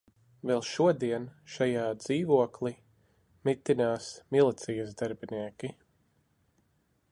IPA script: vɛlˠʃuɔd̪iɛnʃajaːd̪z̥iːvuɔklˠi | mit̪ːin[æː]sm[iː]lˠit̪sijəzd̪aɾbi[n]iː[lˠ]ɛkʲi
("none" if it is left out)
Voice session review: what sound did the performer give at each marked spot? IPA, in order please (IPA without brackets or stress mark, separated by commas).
aː, i, n, none